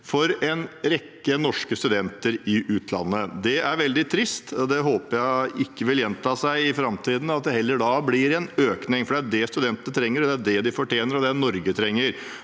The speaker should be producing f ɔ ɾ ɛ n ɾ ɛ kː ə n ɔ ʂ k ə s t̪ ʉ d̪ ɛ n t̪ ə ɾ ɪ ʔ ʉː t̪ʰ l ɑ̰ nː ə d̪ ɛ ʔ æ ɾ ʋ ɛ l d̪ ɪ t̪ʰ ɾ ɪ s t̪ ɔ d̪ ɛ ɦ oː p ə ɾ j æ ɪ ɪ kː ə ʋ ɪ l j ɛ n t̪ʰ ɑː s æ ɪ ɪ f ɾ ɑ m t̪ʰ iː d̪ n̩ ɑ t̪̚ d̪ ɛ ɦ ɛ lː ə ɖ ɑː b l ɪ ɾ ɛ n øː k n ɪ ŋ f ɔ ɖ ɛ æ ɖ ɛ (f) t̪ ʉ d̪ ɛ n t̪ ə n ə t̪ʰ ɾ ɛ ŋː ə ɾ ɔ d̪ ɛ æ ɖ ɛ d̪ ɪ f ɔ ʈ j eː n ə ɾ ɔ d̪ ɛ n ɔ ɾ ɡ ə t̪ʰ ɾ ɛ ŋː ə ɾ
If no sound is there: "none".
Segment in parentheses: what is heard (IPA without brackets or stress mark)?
s